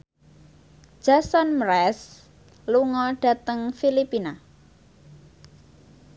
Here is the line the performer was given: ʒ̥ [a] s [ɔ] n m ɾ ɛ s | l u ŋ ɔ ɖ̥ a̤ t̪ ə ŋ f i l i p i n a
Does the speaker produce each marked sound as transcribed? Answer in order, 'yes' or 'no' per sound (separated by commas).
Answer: yes, yes